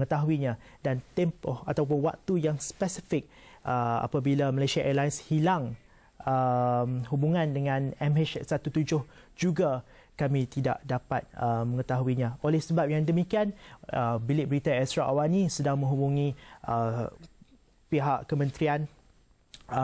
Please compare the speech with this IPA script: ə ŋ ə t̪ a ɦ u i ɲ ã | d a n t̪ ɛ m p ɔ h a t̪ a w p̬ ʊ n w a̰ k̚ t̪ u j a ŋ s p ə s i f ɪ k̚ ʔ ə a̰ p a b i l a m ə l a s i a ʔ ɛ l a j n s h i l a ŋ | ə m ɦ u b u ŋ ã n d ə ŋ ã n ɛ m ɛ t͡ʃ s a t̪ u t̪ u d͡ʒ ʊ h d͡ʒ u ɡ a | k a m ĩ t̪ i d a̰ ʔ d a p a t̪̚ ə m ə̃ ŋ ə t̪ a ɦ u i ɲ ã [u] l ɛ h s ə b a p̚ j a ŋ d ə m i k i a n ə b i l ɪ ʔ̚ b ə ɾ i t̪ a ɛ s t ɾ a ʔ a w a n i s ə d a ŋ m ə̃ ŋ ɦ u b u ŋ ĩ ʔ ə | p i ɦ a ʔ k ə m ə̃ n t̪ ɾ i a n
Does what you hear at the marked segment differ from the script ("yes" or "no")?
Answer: yes